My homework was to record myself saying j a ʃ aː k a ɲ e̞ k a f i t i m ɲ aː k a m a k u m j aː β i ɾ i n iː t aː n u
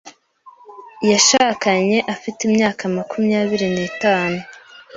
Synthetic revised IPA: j a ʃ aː k a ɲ e̞ ʔ a f i t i m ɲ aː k a m a k u m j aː β i ɾ i n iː t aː n u

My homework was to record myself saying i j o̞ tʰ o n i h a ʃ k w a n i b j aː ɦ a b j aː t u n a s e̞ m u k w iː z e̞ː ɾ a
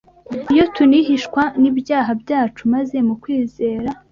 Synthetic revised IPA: i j o̞ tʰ u n i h i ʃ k w a n i b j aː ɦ a b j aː t͡ʃ u m a z e̞ m u k w iː z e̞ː ɾ a

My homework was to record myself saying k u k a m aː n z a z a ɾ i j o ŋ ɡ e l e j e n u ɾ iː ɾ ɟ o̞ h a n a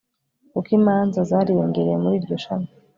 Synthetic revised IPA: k u k i m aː n z a z a ɾ i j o ŋ ɡ e ɾ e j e m u ɾ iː ɾ ɟ o̞ ʃ a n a

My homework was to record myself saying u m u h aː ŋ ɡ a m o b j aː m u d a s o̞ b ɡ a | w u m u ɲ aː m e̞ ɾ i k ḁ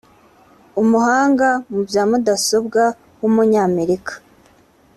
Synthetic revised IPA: u m u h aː ŋ ɡ a m u b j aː m u d a s o̞ b ɡ a | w u m u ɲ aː m e̞ ɾ i k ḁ

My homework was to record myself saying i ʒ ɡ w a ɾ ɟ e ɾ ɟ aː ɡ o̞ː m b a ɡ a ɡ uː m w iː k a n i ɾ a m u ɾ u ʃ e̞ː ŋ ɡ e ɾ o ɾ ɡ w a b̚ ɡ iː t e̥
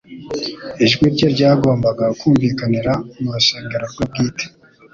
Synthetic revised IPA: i ʒ ɡ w i ɾ ɟ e ɾ ɟ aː ɡ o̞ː m b a ɡ a k uː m v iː k a n i ɾ a m u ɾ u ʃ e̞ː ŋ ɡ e ɾ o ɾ ɡ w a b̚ ɡ iː t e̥

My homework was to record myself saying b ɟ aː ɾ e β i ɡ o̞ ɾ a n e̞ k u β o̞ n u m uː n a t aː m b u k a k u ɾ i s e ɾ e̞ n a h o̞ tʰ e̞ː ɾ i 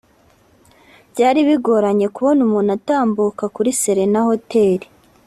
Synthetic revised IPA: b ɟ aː ɾ i β i ɡ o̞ ɾ a ɲ e̞ k u β o̞ n u m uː n a t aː m b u k a k u ɾ i s e ɾ e̞ n a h o̞ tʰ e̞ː ɾ i

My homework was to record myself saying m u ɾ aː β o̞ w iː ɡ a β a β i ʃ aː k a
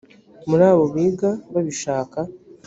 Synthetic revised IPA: m u ɾ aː β o̞ β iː ɡ a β a β i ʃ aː k a

